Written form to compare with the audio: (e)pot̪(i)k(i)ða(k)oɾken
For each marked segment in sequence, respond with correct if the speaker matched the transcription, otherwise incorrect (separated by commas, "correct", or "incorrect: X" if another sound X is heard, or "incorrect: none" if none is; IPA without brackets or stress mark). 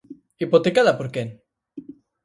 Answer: incorrect: i, incorrect: e, incorrect: a, incorrect: p